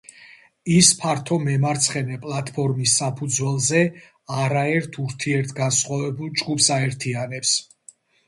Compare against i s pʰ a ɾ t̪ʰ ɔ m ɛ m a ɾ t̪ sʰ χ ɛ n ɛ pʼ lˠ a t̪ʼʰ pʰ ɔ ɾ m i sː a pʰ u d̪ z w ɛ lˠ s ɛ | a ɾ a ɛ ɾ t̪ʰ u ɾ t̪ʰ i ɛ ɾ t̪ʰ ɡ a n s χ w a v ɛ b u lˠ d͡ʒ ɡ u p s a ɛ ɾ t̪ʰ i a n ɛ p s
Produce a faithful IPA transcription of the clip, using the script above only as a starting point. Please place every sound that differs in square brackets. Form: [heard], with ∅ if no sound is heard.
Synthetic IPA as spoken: i s pʰ a ɾ t̪ʰ ɔ m ɛ m a ɾ t̪ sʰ χ ɛ n ɛ pʼ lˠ a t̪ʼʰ pʰ ɔ ɾ m i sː a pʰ u d̪ z w ɛ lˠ [z] ɛ | a ɾ a ɛ ɾ t̪ʰ u ɾ t̪ʰ i ɛ ɾ t̪ʰ ɡ a n s χ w a v ɛ b u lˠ d͡ʒ ɡ u p s a ɛ ɾ t̪ʰ i a n ɛ p s

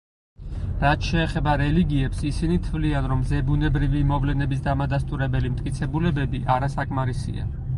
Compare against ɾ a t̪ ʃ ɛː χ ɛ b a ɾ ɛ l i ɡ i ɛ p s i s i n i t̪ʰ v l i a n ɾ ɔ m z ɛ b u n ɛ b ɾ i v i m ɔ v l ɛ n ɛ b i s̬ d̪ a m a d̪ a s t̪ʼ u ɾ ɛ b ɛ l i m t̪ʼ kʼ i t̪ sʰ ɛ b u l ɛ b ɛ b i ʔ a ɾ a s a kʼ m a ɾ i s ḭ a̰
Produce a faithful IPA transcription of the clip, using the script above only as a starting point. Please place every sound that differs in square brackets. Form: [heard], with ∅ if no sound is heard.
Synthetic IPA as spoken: ɾ a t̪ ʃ ɛː χ ɛ b a ɾ ɛ l i ɡ i ɛ p s i s i n i t̪ʰ v l i a n ɾ ɔ m z ɛ b u n ɛ b ɾ i v i m ɔ v l ɛ n ɛ b i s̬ d̪ a m a d̪ a s t̪ʼ u ɾ ɛ b ɛ l i m t̪ʼ kʼ i t̪ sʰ ɛ b u l ɛ b ɛ b i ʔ a ɾ a s a kʼ m a ɾ i s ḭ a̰

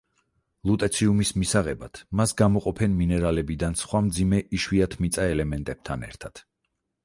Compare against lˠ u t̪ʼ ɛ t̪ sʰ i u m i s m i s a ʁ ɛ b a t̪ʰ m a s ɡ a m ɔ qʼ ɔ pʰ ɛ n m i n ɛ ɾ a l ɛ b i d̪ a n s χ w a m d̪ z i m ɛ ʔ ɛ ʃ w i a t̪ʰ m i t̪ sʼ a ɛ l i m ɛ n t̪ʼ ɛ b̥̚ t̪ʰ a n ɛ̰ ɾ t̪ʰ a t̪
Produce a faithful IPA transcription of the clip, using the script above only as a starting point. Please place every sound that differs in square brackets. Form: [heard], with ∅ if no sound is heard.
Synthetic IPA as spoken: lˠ u t̪ʼ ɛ t̪ sʰ i u m i s m i s a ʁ ɛ b a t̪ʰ m a s ɡ a m ɔ qʼ ɔ pʰ ɛ n m i n ɛ ɾ a l ɛ b i d̪ a n s χ w a m d̪ z i m ɛ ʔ [i] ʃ w i a t̪ʰ m i t̪ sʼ a ɛ l [ɛ] m ɛ n t̪ʼ ɛ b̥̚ t̪ʰ a n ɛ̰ ɾ t̪ʰ a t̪

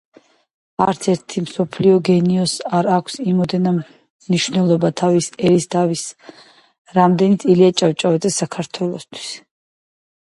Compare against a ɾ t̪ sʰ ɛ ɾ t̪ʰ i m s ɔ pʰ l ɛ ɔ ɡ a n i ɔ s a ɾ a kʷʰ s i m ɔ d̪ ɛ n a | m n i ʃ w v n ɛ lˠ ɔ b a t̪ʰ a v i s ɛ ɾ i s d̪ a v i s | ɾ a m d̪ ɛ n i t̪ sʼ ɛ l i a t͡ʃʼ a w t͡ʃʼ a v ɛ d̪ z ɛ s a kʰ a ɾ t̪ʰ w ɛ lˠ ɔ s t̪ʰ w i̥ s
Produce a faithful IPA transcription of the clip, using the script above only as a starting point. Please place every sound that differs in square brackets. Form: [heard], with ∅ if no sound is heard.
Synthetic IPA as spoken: a ɾ t̪ sʰ ɛ ɾ t̪ʰ i m s ɔ pʰ l [i] ɔ ɡ [ɛ] n i ɔ s a ɾ a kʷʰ s i m ɔ d̪ ɛ n a | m n i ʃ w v n ɛ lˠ ɔ b a t̪ʰ a v i s ɛ ɾ i s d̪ a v i s | ɾ a m d̪ ɛ n i t̪ sʼ [i] l i a t͡ʃʼ a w t͡ʃʼ a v ɛ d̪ z ɛ s a kʰ a ɾ t̪ʰ w ɛ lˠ ɔ s t̪ʰ w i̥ s

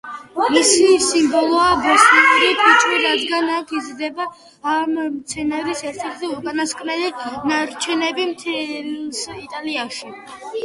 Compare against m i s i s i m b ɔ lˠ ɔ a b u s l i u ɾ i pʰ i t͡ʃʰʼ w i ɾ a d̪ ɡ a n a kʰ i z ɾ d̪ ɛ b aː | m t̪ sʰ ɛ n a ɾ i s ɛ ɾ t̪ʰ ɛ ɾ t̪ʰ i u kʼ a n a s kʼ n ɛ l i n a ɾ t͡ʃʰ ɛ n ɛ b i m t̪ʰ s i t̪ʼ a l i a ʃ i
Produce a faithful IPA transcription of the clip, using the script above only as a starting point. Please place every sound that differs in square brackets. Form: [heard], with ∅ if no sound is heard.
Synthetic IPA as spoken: m i s i s i m b ɔ lˠ ɔ a b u s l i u ɾ i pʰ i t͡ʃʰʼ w i ɾ a d̪ ɡ a n a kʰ i z ɾ d̪ ɛ b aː | m t̪ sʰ ɛ n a ɾ i s ɛ ɾ t̪ʰ ɛ ɾ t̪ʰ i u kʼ a n a s kʼ n ɛ l i n a ɾ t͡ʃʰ ɛ n ɛ b i m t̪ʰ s i t̪ʼ a l i a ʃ i

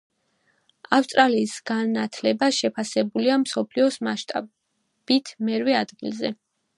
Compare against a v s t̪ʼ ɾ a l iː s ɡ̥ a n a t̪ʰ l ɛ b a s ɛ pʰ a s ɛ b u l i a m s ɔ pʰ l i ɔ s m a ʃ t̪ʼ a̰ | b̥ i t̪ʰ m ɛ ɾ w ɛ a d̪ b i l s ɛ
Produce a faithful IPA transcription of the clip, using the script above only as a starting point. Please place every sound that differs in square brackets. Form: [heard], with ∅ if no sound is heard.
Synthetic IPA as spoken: a [f] s t̪ʼ ɾ a l iː s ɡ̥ a n a t̪ʰ l ɛ b a [ʃ] ɛ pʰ a s ɛ b u l i a m s ɔ pʰ l i ɔ s m a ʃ t̪ʼ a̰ | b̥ i t̪ʰ m ɛ ɾ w ɛ a d̪ [ɡ] i l [z] ɛ

